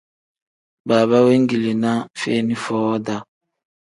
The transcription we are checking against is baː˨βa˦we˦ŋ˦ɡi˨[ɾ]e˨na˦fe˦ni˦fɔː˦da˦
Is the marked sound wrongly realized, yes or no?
yes